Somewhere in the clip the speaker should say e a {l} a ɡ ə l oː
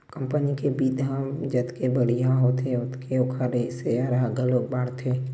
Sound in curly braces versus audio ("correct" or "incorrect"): incorrect